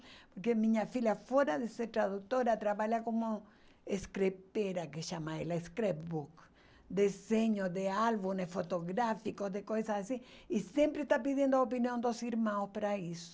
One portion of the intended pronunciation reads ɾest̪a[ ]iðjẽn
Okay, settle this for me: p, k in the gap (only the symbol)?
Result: p